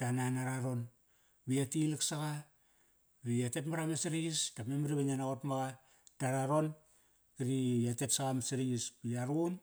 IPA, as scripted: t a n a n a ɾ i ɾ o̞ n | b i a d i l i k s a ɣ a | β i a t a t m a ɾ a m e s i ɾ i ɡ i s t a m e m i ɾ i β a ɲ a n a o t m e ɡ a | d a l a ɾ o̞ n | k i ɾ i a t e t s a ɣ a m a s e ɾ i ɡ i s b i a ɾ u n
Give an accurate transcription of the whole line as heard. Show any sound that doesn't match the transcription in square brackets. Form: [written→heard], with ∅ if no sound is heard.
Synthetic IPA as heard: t a n a n a ɾ [i→a] ɾ o̞ n | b i a [d→t] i l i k s a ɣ a | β i a t [a→e] t m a ɾ a m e s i ɾ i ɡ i s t a m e m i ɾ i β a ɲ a n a o t m [e→a] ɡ a | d a [l→ɾ] a ɾ o̞ n | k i ɾ i a t e t s a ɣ a m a s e ɾ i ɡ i s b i a ɾ u n